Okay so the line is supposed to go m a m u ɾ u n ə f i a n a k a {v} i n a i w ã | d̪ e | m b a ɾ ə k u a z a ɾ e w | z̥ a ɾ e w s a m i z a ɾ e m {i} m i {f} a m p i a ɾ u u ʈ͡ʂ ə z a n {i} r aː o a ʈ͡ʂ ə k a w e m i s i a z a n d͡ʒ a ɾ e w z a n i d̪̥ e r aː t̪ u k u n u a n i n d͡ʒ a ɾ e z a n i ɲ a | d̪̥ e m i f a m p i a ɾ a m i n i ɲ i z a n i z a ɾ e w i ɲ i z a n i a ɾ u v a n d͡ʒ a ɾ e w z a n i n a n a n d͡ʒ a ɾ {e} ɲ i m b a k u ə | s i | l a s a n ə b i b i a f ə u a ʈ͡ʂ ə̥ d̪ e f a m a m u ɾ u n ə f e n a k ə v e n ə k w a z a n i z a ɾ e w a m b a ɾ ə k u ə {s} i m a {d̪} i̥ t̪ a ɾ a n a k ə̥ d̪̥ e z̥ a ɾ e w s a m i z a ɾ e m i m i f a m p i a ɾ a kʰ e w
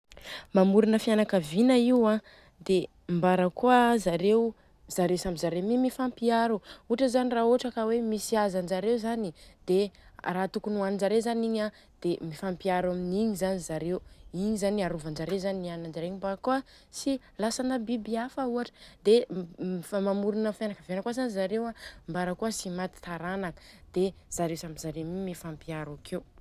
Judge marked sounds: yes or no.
yes, yes, yes, yes, yes, yes, no

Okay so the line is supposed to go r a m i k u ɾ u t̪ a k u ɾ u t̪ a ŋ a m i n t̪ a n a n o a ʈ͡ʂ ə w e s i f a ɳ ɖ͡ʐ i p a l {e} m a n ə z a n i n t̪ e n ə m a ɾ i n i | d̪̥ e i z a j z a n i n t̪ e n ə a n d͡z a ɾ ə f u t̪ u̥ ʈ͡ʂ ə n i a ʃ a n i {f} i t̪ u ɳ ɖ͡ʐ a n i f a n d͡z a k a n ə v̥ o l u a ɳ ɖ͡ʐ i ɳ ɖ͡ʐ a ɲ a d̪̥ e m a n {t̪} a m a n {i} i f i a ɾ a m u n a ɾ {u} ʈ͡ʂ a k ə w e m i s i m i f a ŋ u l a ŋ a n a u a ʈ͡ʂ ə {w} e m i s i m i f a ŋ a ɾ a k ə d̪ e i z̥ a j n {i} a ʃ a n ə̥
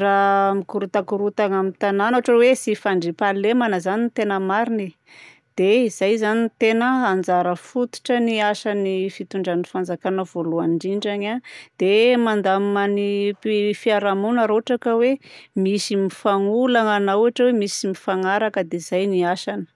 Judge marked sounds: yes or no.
yes, yes, no, yes, no, yes, yes

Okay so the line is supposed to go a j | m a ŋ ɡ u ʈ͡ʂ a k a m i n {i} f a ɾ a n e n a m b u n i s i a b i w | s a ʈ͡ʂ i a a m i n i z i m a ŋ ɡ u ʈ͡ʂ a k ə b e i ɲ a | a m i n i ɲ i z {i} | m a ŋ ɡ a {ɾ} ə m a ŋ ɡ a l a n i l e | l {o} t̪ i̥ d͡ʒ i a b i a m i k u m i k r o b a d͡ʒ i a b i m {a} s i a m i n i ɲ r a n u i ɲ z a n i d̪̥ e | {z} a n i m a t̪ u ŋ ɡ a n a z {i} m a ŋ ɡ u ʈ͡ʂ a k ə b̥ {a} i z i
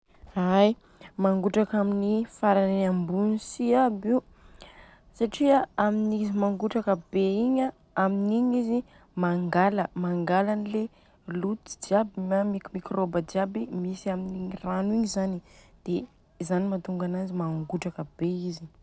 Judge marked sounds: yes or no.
yes, yes, no, no, no, yes, yes, no

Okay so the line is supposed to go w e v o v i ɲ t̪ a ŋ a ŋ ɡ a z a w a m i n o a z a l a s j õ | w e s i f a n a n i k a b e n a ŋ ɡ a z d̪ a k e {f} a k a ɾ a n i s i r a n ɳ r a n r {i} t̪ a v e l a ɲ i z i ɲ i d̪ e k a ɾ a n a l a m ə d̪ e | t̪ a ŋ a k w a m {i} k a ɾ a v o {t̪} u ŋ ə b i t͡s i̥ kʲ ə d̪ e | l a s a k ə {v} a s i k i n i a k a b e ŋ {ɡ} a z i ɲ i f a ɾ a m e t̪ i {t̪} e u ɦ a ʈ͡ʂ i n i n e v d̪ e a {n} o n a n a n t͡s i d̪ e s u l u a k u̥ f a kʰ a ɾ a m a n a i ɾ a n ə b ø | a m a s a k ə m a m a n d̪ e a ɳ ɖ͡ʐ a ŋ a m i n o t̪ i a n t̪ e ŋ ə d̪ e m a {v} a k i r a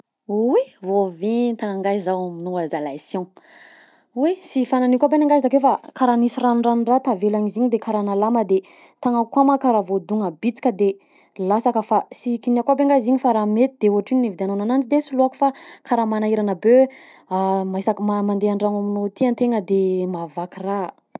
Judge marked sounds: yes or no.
yes, no, no, no, no, yes, no, yes, yes

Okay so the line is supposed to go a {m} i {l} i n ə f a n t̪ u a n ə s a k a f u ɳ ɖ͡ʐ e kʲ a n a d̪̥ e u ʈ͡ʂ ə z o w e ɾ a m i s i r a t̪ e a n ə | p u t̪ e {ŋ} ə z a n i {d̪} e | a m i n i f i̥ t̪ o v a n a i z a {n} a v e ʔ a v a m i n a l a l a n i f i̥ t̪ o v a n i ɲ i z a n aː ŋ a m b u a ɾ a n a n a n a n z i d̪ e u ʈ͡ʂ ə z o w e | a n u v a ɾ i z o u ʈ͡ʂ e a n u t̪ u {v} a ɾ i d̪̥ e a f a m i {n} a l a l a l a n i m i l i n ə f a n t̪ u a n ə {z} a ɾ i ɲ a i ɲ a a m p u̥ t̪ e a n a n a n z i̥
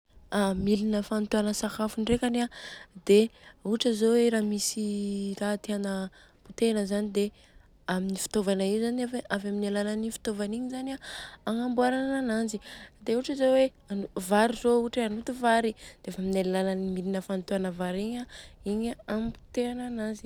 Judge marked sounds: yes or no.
yes, yes, no, yes, yes, yes, yes, no

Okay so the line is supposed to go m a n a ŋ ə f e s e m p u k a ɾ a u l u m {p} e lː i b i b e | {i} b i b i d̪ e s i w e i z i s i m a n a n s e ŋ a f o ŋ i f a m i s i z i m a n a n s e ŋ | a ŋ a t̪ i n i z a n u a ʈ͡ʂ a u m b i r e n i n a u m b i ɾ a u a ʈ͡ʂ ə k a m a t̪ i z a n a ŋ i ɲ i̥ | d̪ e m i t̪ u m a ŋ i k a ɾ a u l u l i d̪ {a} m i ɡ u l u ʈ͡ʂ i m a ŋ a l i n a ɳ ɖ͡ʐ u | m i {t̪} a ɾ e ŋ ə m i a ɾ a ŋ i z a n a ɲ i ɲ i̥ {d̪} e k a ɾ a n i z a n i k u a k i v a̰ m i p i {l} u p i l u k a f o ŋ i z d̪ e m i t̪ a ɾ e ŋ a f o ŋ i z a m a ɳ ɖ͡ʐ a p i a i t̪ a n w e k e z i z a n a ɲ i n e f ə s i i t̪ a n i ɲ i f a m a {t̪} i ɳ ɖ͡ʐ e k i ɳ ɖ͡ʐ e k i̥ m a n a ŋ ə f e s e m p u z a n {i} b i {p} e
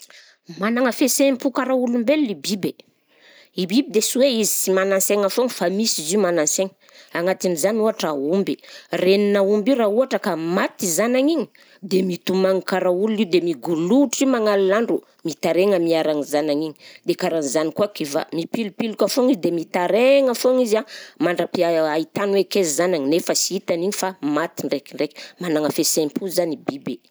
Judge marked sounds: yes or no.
no, yes, no, yes, yes, yes, yes, yes, no

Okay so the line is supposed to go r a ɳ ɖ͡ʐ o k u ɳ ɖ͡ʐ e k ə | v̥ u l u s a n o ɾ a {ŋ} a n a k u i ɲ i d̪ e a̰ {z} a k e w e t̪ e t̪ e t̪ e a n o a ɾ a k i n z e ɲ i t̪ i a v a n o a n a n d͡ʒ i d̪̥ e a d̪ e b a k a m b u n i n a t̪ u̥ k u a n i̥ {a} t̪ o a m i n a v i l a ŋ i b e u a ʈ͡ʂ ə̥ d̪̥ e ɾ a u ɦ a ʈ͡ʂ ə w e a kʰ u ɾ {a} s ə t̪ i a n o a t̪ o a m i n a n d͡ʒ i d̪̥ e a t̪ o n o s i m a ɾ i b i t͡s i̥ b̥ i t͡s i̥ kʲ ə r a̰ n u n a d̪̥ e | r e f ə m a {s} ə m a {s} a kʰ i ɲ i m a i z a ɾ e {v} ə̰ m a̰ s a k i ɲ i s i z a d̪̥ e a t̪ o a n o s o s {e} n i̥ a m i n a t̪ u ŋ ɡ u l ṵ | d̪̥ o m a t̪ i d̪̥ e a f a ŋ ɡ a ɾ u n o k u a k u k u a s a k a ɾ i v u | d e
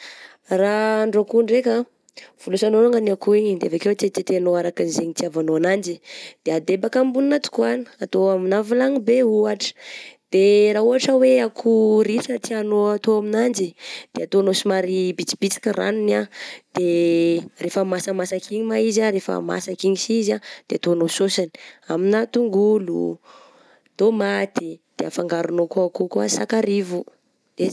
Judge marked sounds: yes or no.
yes, no, yes, no, yes, yes, no, no

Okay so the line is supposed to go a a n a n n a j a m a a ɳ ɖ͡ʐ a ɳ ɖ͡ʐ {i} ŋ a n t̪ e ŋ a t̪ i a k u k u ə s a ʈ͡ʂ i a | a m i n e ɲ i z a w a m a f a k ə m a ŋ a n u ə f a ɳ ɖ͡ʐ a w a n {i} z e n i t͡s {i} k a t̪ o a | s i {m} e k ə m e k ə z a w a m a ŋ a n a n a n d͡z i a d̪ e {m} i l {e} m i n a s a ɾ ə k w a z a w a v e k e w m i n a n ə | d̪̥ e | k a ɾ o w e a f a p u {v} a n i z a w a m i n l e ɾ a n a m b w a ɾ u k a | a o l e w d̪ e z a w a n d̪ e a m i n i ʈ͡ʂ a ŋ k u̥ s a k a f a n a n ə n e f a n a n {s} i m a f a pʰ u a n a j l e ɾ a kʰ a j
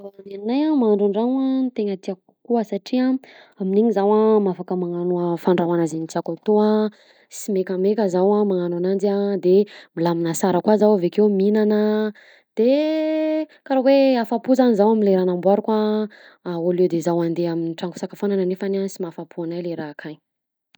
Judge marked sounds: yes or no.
no, no, no, yes, yes, no, no, yes

